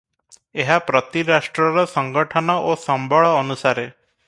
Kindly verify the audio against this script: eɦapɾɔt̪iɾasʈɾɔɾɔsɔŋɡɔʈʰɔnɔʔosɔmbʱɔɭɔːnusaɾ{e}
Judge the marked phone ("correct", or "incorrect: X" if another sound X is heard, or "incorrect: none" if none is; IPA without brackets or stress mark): correct